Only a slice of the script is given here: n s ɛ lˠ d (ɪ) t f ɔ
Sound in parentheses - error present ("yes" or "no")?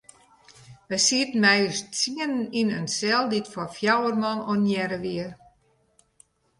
yes